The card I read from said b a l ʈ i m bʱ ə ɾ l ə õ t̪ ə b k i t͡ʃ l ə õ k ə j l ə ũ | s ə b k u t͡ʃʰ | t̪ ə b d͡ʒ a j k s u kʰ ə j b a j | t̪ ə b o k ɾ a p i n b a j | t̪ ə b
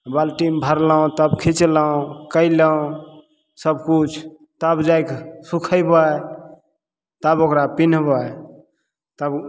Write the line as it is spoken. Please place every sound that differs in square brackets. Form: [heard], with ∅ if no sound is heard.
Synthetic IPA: b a l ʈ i m bʱ ə ɾ l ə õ t̪ ə b [kʰ] i t͡ʃ l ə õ k ə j l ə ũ | s ə b k u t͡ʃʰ | t̪ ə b d͡ʒ a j k s u kʰ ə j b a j | t̪ ə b o k ɾ a p i n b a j | t̪ ə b